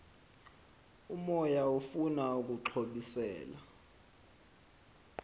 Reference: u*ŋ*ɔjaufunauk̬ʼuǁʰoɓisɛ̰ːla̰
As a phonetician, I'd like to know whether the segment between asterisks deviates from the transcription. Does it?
yes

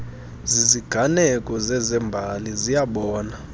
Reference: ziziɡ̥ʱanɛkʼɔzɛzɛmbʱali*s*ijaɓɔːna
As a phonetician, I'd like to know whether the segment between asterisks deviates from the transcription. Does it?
yes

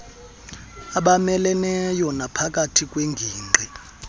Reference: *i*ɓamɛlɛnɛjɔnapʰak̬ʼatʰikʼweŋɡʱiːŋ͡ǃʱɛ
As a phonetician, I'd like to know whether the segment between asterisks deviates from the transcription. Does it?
yes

